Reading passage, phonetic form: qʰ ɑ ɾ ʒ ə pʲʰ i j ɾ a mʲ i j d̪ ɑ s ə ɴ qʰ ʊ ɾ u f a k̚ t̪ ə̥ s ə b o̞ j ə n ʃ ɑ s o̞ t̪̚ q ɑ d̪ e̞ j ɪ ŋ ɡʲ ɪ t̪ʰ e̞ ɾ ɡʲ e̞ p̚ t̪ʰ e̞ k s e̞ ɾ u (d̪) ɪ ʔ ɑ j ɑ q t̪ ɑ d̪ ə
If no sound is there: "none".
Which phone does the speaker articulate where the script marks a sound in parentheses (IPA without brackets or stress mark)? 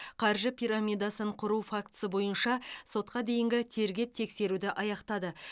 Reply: d̪